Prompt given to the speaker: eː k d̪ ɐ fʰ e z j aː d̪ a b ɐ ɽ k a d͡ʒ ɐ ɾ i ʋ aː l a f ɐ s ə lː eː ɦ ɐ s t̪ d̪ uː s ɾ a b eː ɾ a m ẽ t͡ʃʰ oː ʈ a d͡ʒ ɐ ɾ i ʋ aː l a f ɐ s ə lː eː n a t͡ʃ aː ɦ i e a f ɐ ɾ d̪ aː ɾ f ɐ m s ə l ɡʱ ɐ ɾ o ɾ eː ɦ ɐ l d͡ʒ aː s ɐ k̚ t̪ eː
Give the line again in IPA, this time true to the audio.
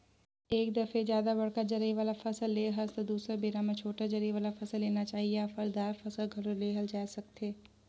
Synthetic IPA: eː k d̪ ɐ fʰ e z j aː d̪ a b ɐ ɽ k a d͡ʒ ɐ ɾ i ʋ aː l a f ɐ s ə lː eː ɦ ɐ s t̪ d̪ uː s ɾ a b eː ɾ a m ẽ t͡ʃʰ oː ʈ a d͡ʒ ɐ ɾ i ʋ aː l a f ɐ s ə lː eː n a t͡ʃ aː ɦ i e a f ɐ ɾ d̪ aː ɾ f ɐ s ə l ɡʱ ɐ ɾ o l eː ɦ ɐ l d͡ʒ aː s ɐ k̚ t̪ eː

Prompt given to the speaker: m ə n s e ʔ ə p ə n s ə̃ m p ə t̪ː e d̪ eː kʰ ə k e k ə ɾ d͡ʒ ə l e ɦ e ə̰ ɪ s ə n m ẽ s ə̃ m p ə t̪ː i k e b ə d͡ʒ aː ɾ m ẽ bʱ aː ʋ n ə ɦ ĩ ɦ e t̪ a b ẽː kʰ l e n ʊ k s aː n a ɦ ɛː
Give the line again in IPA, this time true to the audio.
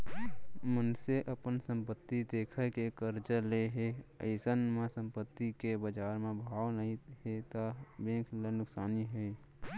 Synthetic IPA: m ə n s e ʔ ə p ə n s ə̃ m p ə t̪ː i d̪ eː kʰ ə k e k ə ɾ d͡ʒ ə l e ɦ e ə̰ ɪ s ə n m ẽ s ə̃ m p ə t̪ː i k e b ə d͡ʒ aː ɾ m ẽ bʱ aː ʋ n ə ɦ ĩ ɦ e t̪ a b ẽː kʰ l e n ʊ k s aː n i ɦ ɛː

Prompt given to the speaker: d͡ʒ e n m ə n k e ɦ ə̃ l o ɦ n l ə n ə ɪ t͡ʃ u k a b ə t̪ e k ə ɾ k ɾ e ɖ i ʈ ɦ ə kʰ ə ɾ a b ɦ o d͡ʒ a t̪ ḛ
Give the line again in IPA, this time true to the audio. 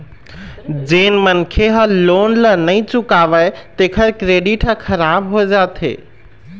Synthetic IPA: d͡ʒ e n m ə n kʰ e ɦ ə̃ l o n l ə n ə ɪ t͡ʃ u k a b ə t̪ e kʰ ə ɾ k ɾ e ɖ i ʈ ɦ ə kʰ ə ɾ a b ɦ o d͡ʒ a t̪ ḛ

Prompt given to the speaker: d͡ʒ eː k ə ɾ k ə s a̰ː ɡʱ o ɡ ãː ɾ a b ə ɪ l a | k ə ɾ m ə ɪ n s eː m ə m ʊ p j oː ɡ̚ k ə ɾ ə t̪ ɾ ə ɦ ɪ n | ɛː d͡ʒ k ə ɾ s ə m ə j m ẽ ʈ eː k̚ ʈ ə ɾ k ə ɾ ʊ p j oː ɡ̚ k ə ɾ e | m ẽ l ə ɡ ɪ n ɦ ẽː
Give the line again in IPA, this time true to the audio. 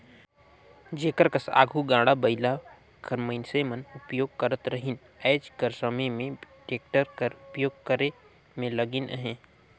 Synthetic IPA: d͡ʒ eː k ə ɾ k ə s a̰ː ɡʱ u ɡ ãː ɽ a b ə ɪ l a | k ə ɾ m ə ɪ n s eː m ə n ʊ p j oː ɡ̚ k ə ɾ ə t̪ ɾ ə ɦ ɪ n | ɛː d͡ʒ k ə ɾ s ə m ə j m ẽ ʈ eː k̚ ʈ ə ɾ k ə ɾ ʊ p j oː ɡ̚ k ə ɾ e | m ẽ l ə ɡ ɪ n ɦ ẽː

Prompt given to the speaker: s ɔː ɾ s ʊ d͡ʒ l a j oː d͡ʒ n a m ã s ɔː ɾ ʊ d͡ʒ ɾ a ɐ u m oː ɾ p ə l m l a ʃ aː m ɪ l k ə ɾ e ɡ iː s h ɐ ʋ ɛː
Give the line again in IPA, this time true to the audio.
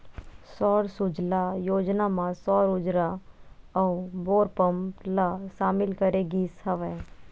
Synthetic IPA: s ɔː ɾ s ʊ d͡ʒ l a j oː d͡ʒ n a m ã s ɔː ɾ ʊ d͡ʒ ɾ a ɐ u b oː ɾ p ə m l a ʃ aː m ɪ l k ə ɾ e ɡ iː s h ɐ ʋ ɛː

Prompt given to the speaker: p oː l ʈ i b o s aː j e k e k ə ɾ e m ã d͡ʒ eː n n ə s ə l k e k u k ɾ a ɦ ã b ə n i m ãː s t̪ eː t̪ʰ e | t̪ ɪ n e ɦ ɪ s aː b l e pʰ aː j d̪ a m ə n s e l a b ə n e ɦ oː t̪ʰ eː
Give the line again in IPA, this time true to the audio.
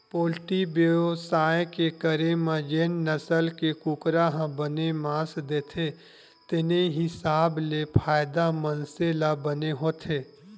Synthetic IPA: p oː l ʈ i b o s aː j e k e k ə ɾ e m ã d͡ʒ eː n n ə s ə l k e k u k ɾ a ɦ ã b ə n e m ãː s d̪ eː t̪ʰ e | t̪ ɪ n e ɦ ɪ s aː b l e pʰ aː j d̪ a m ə n s e l a b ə n e ɦ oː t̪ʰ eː

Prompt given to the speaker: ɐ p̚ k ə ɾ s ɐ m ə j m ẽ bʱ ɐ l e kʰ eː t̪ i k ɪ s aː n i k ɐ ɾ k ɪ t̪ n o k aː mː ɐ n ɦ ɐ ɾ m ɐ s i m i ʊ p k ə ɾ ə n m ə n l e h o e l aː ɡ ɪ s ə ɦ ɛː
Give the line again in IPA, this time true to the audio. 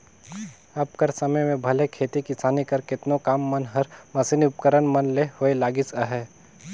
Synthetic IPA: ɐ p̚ k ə ɾ s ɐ m ə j m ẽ bʱ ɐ l e kʰ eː t̪ i k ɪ s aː n i k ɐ ɾ k ɪ t̪ n o k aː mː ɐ n ɦ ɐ ɾ m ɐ s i n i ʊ p k ə ɾ ə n m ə n l e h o e l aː ɡ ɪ s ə ɦ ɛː

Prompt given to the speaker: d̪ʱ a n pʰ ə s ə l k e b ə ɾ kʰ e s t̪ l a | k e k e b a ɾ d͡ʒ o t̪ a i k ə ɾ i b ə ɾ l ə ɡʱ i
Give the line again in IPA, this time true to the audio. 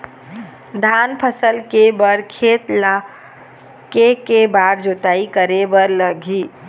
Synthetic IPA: d̪ʱ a n pʰ ə s ə l k e b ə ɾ kʰ e t̪ l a | k e k e b a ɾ d͡ʒ o t̪ a i k ə ɾ e b ə ɾ l ə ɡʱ i

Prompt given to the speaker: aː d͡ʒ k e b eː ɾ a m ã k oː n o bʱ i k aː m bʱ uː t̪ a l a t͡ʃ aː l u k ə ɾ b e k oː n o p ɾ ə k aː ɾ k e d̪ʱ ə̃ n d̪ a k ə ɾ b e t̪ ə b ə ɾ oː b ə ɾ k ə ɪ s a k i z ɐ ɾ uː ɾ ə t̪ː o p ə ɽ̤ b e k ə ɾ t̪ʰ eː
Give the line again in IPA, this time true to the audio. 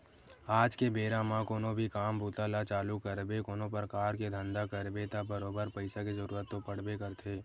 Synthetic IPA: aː d͡ʒ k e b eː ɾ a m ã k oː n o bʱ i k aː m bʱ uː t̪ a l a t͡ʃ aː l u k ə ɾ b e k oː n o p ɾ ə k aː ɾ k e d̪ʱ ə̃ n d̪ a k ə ɾ b e t̪ a b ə ɾ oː b ə ɾ p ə ɪ s a k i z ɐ ɾ uː ɾ ə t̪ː o p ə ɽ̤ b e k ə ɾ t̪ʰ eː

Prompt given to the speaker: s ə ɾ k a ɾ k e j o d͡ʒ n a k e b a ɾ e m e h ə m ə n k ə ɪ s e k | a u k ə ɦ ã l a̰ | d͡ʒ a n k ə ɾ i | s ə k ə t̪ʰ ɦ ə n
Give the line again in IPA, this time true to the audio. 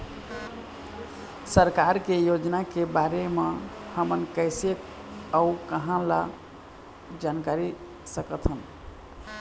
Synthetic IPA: s ə ɾ k a ɾ k e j o d͡ʒ n a k e b a ɾ e m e h ə m ə n k ə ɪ s e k | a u k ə ɦ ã l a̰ | d͡ʒ a n k a ɾ i | s ə k ə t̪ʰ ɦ ə n

